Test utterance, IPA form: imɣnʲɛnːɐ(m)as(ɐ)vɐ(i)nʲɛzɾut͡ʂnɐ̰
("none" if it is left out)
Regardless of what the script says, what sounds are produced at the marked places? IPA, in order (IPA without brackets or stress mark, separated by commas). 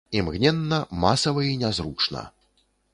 m, ɐ, i